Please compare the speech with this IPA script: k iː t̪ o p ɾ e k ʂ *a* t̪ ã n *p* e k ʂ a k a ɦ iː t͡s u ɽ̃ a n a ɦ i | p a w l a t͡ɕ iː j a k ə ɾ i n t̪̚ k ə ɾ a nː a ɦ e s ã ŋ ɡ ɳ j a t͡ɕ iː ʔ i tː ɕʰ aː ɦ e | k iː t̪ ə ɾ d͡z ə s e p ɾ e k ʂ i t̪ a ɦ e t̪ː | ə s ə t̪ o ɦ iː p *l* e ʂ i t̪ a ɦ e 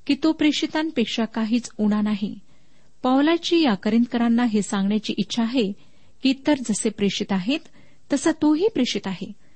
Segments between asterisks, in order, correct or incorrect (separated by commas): incorrect, correct, incorrect